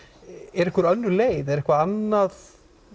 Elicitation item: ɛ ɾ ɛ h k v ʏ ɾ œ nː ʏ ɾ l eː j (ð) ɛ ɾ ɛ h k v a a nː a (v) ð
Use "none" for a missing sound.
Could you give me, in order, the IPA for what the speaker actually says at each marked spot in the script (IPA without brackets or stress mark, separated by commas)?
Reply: ð, none